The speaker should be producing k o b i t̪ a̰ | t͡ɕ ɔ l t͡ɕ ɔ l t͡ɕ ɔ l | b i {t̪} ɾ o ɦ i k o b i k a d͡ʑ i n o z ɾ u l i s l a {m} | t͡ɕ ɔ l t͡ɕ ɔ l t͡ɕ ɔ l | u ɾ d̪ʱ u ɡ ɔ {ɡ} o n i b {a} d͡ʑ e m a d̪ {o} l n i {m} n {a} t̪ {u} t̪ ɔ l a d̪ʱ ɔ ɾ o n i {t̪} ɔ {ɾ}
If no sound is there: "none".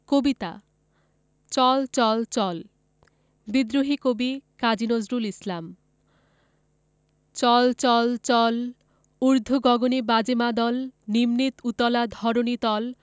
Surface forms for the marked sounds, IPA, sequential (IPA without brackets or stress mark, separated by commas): d̪, m, ɡ, a, ɔ, m, i, u, t̪, l